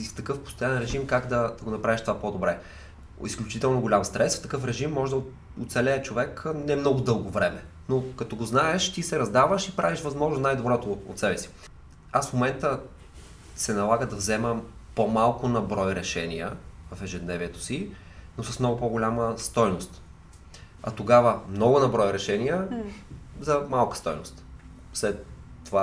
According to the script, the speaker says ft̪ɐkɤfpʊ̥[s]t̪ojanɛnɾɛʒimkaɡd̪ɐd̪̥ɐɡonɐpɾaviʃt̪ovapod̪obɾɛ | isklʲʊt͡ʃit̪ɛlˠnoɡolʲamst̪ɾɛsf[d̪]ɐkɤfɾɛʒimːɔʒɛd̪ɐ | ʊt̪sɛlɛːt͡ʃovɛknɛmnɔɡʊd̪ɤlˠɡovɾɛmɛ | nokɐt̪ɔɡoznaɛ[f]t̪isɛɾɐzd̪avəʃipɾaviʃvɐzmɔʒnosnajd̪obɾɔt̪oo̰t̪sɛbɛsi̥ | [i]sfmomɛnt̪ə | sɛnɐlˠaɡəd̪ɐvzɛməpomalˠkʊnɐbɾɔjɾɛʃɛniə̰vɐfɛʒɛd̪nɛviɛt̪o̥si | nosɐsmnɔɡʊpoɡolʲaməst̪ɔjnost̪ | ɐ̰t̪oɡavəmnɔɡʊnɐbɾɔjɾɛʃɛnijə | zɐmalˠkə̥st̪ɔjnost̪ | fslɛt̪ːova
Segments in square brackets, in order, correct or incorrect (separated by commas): correct, incorrect, incorrect, incorrect